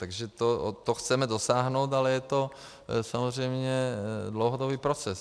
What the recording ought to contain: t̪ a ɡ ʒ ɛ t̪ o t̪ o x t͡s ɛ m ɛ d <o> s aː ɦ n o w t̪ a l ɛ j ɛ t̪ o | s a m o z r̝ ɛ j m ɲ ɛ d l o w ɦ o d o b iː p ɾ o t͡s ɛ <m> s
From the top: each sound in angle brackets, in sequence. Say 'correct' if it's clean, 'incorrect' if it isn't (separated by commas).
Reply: correct, incorrect